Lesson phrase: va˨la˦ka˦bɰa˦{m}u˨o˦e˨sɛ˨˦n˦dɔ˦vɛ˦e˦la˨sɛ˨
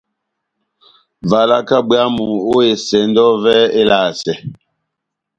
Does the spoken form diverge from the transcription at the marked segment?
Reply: no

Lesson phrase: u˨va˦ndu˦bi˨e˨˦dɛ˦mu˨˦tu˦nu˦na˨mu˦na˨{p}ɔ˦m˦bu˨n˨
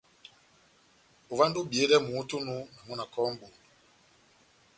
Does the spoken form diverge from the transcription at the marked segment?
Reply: yes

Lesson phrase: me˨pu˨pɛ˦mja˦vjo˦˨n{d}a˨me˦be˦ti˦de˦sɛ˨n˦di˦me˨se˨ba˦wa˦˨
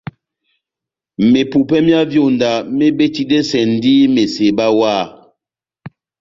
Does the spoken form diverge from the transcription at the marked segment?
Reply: no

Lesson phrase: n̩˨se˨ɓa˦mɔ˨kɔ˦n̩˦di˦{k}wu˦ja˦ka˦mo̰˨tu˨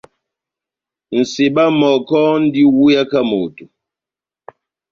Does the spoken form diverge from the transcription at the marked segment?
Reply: yes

